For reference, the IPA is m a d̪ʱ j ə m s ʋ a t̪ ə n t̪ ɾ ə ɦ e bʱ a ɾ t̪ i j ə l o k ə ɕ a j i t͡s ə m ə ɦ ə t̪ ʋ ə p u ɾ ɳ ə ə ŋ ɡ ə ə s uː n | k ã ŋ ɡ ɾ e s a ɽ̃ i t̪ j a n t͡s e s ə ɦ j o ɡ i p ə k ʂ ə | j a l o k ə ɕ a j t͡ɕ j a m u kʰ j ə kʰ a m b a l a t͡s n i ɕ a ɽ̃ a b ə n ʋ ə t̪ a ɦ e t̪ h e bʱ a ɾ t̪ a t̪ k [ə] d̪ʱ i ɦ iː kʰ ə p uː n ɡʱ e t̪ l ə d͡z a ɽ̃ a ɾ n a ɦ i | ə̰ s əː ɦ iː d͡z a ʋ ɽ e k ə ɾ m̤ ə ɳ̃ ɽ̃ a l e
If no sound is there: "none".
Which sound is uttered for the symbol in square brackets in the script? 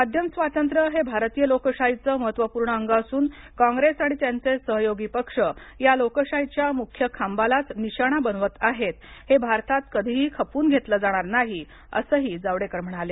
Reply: ə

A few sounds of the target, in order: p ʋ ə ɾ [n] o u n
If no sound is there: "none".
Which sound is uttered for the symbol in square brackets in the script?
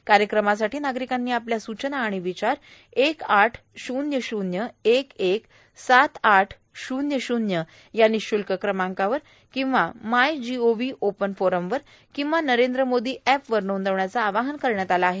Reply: n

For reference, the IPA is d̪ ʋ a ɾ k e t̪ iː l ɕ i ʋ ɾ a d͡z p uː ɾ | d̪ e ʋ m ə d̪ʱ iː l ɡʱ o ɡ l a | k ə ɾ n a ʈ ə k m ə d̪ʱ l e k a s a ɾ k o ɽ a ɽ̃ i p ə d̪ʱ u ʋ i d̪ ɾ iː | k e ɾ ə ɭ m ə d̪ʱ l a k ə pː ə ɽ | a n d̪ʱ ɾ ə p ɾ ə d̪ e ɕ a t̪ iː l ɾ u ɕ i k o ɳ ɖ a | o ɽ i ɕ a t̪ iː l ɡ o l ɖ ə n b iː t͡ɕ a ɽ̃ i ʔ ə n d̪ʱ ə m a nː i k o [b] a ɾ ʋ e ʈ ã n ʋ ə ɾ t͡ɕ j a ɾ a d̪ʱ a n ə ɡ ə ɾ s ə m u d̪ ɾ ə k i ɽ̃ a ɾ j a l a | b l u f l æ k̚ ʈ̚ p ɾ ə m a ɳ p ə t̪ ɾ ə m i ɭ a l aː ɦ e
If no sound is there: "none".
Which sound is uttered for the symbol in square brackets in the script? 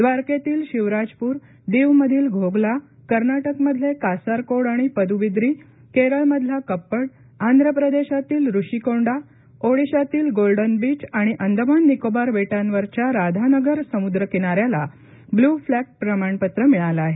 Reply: b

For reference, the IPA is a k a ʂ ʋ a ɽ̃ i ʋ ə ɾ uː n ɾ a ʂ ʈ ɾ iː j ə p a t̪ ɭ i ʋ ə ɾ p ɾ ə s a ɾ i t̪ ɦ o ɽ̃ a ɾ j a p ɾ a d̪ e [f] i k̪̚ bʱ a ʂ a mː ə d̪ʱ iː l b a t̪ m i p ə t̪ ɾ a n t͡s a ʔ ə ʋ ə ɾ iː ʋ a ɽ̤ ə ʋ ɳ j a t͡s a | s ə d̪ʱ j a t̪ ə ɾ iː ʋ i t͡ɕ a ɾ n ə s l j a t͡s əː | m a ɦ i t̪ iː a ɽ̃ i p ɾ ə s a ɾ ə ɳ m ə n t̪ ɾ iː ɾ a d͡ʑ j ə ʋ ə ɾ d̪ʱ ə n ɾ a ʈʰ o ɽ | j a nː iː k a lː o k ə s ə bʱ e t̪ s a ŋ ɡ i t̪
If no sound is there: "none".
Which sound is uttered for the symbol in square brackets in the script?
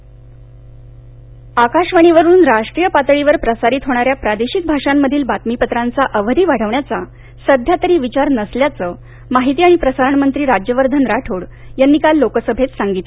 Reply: ɕ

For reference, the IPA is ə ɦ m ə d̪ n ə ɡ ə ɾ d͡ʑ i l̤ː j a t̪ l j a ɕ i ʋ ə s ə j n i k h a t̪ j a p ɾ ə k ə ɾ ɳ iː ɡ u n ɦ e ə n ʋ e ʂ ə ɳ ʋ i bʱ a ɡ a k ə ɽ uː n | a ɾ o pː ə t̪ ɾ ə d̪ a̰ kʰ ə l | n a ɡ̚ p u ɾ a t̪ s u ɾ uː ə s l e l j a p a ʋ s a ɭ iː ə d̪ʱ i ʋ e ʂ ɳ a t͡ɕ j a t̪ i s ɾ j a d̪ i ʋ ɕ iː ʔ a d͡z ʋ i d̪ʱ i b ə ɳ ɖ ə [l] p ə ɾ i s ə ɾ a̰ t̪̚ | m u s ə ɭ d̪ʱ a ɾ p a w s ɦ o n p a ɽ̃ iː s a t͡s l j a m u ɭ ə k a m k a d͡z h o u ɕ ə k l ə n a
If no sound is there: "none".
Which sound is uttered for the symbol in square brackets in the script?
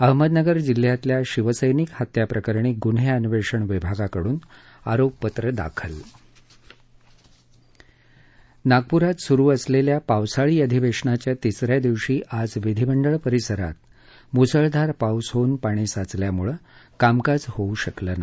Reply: ɭ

